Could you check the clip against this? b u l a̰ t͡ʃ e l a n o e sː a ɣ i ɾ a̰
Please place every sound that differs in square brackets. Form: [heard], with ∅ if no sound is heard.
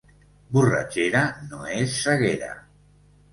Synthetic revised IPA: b u [r] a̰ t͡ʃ e [ɾ] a n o e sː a ɣ [e] ɾ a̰